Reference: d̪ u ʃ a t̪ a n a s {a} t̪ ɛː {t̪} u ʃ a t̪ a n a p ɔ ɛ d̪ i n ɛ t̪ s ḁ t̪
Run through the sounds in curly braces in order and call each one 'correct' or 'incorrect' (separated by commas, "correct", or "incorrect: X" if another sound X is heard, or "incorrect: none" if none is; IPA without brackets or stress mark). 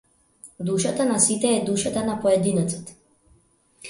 incorrect: i, incorrect: d̪